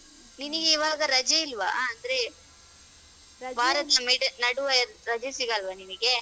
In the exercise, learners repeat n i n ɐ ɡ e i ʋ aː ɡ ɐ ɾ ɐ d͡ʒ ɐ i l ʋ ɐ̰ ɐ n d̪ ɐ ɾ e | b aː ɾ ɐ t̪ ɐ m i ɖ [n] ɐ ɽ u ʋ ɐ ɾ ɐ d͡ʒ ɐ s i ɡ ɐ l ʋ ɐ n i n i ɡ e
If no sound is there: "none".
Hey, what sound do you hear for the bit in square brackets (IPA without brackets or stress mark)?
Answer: n